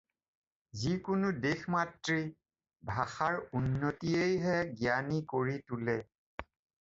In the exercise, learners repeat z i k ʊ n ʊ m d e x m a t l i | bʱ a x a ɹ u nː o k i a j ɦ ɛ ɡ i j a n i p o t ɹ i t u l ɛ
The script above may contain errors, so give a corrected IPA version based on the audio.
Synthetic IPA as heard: z i k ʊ n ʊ d e x m a t ɹ i | bʱ a x a ɹ u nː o t i e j ɦ ɛ ɡ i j a n i k o ɹ i t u l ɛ